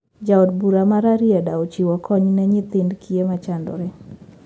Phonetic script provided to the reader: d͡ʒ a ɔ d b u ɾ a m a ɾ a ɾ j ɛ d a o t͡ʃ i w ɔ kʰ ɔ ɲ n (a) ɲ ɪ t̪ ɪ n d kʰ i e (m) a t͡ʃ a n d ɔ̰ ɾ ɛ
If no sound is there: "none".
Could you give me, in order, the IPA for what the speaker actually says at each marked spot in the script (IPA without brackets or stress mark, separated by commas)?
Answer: ɛ, m